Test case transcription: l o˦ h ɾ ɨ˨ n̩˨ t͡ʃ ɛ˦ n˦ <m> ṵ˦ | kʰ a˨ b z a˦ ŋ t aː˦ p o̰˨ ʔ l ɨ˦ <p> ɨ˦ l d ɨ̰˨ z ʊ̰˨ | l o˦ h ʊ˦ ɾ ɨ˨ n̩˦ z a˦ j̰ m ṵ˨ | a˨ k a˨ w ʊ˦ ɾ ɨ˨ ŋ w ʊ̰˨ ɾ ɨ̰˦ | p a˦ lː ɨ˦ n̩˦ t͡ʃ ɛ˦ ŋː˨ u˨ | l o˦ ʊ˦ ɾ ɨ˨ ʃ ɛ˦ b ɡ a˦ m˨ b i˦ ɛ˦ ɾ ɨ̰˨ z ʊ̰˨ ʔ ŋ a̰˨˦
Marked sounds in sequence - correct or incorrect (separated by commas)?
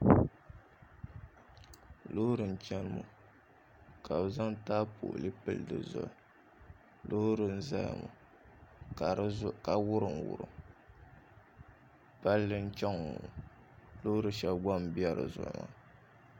correct, correct